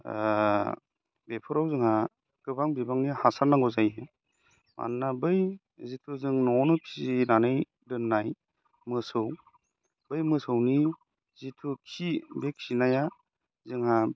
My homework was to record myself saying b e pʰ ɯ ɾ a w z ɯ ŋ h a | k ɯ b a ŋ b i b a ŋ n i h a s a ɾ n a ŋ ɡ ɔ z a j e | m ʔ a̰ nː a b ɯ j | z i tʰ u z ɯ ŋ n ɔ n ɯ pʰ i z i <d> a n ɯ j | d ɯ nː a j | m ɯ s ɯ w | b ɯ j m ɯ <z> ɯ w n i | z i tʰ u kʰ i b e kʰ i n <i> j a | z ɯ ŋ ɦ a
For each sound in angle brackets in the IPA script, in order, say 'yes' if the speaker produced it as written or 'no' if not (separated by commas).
no, no, no